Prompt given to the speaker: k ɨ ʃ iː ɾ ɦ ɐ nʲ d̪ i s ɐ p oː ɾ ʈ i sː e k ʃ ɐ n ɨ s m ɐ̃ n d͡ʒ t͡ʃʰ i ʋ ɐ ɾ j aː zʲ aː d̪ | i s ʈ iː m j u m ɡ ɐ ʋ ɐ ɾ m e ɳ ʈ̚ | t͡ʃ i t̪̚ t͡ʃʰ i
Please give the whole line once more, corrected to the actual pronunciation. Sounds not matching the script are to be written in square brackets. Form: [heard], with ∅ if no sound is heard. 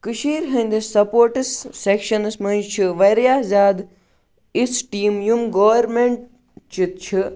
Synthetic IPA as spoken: k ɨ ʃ iː ɾ ɦ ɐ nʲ d̪ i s ɐ p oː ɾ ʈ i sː e k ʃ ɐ n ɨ s m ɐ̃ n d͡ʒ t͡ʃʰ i ʋ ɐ ɾ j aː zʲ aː d̪ | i s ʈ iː m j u m ɡ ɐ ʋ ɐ ɾ m e ɳ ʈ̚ | t͡ʃ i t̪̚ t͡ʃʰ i